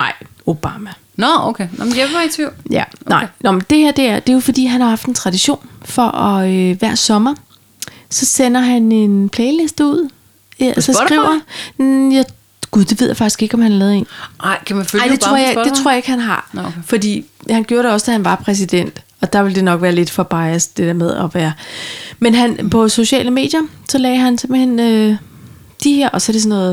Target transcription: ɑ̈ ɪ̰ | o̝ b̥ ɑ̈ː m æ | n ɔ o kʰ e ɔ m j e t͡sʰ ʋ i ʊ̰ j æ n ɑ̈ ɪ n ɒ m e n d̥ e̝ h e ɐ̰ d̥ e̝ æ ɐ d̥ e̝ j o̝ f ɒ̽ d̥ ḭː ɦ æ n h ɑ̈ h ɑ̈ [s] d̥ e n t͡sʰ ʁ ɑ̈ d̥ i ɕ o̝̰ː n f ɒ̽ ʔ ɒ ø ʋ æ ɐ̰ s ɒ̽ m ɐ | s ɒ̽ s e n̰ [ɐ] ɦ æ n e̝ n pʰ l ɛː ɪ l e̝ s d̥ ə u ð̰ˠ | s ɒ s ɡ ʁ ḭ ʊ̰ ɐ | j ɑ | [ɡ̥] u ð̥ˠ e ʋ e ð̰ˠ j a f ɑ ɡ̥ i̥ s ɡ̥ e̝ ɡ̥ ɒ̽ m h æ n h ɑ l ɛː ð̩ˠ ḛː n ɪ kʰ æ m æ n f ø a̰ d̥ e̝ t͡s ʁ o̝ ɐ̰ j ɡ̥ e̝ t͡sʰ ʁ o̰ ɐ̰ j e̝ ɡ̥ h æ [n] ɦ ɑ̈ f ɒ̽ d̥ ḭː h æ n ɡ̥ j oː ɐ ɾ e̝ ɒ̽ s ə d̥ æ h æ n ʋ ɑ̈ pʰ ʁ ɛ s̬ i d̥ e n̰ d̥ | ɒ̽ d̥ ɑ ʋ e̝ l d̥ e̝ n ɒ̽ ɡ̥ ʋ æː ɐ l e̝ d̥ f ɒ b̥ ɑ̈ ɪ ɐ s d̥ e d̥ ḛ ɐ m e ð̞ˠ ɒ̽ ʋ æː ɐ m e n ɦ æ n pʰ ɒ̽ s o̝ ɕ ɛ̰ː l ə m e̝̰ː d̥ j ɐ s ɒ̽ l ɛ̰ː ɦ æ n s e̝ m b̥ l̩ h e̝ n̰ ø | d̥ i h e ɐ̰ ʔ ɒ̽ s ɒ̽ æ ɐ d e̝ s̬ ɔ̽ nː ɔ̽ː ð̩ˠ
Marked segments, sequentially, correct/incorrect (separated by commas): incorrect, correct, correct, correct